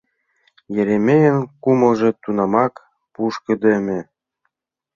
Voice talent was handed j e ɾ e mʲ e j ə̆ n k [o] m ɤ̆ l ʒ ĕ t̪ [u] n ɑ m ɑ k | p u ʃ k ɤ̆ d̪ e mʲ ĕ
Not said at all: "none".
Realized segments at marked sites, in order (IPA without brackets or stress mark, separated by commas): u, u